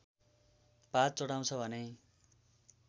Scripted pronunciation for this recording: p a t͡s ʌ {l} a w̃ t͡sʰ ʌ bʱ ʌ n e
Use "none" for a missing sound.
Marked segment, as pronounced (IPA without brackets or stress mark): ɽ